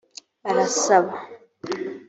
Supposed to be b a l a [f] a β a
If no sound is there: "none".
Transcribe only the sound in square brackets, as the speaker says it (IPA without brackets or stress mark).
s